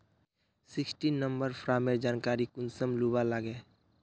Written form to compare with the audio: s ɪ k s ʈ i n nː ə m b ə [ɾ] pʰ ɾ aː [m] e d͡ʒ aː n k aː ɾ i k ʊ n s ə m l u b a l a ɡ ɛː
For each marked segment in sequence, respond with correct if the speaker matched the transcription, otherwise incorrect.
correct, correct

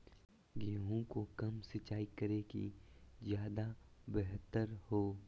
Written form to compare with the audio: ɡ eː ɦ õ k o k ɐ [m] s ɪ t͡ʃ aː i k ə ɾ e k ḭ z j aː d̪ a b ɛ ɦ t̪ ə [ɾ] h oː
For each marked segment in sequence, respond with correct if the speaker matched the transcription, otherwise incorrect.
correct, correct

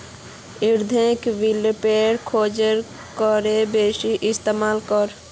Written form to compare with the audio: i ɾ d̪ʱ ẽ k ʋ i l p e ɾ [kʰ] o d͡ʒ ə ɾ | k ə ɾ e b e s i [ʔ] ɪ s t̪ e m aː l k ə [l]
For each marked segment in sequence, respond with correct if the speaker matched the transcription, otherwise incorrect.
correct, correct, incorrect

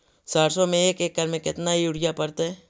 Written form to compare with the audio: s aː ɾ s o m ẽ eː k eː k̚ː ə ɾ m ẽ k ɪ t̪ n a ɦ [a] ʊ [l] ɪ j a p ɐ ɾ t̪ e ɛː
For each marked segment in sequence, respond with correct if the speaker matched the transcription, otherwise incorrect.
incorrect, incorrect

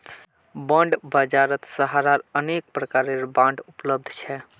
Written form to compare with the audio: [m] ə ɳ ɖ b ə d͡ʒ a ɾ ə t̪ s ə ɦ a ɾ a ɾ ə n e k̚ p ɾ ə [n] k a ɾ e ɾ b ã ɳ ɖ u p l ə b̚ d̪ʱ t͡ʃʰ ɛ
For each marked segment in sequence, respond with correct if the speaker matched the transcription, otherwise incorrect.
incorrect, incorrect

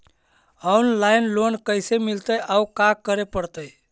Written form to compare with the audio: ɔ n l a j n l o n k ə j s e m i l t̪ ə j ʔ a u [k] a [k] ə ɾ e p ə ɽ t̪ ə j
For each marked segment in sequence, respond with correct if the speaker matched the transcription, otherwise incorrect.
correct, correct

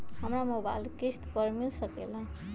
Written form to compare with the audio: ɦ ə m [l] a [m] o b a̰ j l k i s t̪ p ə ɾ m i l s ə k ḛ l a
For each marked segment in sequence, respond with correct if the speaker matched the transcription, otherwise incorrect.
incorrect, correct

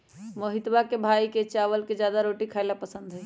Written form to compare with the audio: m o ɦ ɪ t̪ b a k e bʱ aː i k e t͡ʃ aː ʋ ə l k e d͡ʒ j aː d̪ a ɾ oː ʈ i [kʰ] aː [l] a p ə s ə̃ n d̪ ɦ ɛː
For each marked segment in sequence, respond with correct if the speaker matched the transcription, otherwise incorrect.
correct, correct

